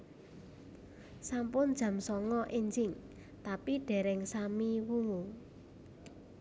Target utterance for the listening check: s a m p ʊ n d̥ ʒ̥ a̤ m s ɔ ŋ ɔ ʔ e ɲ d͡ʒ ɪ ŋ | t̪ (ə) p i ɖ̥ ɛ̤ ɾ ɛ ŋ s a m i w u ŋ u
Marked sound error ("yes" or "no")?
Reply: yes